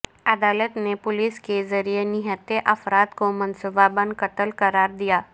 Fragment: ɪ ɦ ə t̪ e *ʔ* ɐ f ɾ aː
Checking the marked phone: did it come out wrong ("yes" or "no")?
no